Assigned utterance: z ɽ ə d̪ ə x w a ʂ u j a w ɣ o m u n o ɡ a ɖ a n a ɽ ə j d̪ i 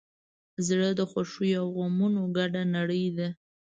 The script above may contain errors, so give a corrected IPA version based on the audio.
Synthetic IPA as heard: z ɽ ə d̪ ə x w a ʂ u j a w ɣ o m u n o ɡ a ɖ a n a ɽ ə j d̪ a